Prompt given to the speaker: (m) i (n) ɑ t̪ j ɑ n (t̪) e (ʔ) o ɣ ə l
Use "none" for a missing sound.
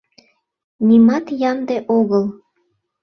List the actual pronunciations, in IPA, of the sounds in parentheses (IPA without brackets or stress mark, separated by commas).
n, m, d̪, ʔ